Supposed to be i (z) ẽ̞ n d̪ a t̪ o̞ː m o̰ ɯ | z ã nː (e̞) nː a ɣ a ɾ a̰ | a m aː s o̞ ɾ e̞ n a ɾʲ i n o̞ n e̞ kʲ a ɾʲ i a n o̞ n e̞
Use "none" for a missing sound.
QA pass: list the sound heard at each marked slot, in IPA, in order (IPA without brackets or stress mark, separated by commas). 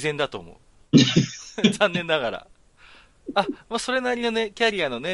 z, ẽ̞